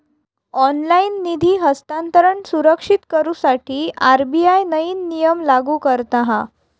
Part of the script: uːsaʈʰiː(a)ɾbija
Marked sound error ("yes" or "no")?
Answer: no